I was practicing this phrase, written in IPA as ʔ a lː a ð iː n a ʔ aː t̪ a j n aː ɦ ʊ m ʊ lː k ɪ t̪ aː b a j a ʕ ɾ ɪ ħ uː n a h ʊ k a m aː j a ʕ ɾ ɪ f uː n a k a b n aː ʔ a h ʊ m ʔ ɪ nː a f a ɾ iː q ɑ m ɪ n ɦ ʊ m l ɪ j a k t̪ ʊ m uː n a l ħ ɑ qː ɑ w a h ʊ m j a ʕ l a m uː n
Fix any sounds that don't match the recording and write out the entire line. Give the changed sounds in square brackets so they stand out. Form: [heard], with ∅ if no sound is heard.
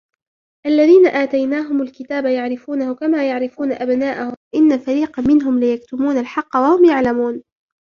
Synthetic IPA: ʔ a lː a ð iː n a ʔ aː t̪ a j n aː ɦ ʊ m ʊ [l] k ɪ t̪ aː b a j a ʕ ɾ ɪ [f] uː n a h ʊ k a m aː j a ʕ ɾ ɪ f uː n a [ʔ] a b n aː ʔ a h ʊ m ʔ ɪ nː a f a ɾ iː q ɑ m ɪ n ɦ ʊ m l ɪ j a k t̪ ʊ m uː n a l ħ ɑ qː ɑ w a h ʊ m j a ʕ l a m uː n

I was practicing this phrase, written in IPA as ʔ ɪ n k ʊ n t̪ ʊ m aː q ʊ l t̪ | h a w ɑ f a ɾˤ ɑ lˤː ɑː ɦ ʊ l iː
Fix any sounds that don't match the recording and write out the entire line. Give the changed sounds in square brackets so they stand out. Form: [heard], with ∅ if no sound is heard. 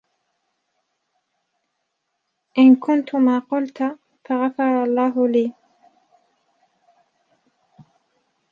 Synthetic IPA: ʔ ɪ n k ʊ n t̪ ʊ m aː q ʊ l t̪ | [f] a [ɣ] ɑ f [ɑ] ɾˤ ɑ lˤː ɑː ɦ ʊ l iː

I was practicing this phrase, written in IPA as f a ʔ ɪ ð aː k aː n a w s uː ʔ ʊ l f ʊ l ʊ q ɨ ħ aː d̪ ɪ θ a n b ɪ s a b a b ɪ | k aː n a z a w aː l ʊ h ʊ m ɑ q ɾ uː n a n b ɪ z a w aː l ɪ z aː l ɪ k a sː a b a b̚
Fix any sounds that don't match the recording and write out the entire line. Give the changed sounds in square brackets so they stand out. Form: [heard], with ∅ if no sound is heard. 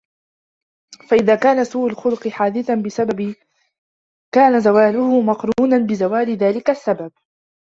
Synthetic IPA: f a ʔ ɪ ð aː k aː n a [∅] s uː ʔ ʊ l [x] ʊ l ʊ q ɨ ħ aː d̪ ɪ θ a n b ɪ s a b a b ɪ | k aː n a z a w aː l ʊ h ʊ m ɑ q ɾ uː n a n b ɪ z a w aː l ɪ [ð] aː l ɪ k a sː a b a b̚

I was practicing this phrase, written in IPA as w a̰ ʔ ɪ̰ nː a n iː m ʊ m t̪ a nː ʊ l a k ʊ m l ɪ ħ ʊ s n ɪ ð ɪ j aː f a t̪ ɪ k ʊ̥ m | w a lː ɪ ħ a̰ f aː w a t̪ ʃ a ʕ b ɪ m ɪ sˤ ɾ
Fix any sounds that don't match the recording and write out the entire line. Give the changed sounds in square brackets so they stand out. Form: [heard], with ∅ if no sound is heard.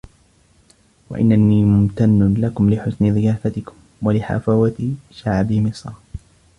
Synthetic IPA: w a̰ ʔ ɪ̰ nː a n iː m ʊ m t̪ a nː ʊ l a k ʊ m l ɪ ħ ʊ s n ɪ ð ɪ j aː f a t̪ ɪ k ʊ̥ m | w a [l] ɪ ħ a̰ f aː w a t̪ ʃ a ʕ b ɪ m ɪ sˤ ɾ

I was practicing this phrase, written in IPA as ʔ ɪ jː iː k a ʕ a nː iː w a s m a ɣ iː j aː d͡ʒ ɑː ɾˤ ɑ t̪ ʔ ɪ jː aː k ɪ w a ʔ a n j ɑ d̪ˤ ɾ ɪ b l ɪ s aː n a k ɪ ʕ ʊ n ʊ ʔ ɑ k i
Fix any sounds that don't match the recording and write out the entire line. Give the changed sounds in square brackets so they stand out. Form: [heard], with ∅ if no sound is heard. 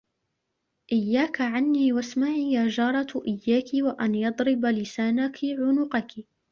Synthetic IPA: ʔ ɪ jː [aː] k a ʕ a nː iː w a s m a [ʕ] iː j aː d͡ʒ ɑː ɾˤ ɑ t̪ ʔ ɪ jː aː k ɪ w a ʔ a n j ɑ d̪ˤ ɾ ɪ b l ɪ s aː n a k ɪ ʕ ʊ n ʊ [q] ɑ k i

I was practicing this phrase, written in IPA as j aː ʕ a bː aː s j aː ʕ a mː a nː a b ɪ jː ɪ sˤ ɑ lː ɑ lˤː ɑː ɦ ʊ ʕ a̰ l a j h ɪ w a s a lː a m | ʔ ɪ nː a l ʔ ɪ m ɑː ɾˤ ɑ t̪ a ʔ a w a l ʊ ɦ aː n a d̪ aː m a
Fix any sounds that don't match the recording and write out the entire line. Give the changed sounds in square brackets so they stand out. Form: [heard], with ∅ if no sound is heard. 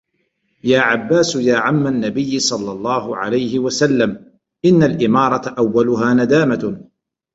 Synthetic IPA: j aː ʕ a bː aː s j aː ʕ a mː a nː a b ɪ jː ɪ sˤ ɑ lː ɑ lˤː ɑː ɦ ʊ ʕ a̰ l a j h ɪ w a s a lː a m | ʔ ɪ nː a l ʔ ɪ m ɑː ɾˤ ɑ t̪ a ʔ a [wː] a l ʊ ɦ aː n a d̪ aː m a

